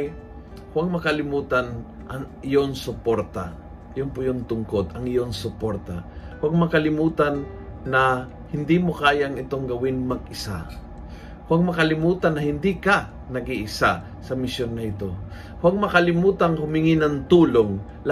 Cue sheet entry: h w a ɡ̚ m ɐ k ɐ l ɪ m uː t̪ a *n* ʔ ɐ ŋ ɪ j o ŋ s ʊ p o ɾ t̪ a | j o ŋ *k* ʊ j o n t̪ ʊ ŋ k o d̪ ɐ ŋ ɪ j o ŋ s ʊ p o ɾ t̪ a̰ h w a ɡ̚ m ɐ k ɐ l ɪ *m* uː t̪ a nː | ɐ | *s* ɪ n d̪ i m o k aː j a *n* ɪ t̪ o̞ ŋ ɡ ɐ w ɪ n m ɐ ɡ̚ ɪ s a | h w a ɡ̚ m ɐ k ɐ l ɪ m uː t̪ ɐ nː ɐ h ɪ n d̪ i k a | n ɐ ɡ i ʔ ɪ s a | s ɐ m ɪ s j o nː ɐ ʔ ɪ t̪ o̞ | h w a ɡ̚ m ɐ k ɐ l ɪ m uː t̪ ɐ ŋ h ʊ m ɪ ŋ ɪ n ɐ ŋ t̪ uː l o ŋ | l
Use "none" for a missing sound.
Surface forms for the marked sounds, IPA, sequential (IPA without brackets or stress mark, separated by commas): n, p, m, h, ŋ